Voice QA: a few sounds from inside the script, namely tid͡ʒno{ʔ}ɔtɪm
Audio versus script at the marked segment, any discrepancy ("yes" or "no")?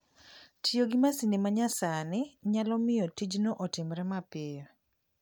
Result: no